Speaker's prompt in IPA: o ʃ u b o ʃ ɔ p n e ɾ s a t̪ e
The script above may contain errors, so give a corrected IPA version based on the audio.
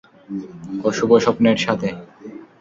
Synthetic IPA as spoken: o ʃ u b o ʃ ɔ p n e ɾ ʃ a t̪ʰ e